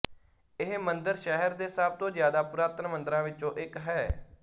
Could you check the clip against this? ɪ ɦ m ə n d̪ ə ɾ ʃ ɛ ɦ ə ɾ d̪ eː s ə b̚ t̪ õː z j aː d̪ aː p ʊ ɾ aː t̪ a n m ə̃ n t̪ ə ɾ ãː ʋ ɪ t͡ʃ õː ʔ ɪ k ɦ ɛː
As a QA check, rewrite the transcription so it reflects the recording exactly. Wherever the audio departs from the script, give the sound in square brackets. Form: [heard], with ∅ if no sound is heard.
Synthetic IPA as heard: ɪ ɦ m ə n d̪ ə ɾ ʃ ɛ ɦ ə ɾ d̪ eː s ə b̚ t̪ õː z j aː d̪ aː p ʊ ɾ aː t̪ [ə] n m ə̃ n [d̪] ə ɾ ãː ʋ ɪ t͡ʃ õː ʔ ɪ k ɦ ɛː